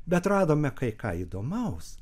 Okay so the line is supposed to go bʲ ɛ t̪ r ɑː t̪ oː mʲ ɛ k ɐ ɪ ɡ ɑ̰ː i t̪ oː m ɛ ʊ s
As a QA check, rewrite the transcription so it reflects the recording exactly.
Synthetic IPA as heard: bʲ ɛ t̪ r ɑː d̪ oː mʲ ɛ k ɐ ɪ k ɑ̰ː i d̪ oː m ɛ ʊ s